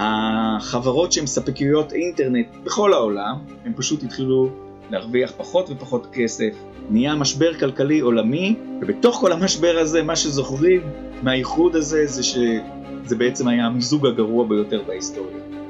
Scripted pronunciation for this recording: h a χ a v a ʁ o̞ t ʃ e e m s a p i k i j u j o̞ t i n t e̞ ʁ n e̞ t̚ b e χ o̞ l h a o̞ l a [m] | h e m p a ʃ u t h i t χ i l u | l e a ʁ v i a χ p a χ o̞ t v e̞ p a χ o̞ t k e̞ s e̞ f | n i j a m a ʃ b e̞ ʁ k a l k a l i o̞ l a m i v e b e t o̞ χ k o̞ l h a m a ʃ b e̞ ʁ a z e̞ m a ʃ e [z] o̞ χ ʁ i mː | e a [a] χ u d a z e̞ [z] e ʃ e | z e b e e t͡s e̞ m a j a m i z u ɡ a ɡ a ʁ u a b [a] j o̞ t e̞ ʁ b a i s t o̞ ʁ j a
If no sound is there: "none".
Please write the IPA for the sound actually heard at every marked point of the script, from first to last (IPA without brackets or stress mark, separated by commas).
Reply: m, z, i, z, e